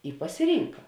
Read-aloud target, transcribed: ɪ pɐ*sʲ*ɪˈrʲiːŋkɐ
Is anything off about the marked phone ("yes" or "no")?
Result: no